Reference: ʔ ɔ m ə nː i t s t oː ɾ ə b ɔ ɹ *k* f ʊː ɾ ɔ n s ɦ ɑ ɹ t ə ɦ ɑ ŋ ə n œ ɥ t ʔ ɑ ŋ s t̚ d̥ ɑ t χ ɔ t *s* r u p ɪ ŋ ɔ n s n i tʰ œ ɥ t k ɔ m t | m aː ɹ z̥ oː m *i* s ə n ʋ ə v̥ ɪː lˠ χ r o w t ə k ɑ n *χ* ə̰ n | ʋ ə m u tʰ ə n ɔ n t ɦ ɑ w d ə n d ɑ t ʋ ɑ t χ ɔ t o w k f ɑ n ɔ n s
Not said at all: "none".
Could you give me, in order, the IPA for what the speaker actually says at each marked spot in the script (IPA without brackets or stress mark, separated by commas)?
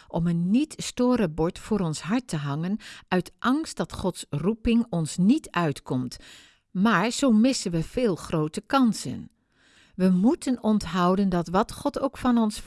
t, s, ɪ, s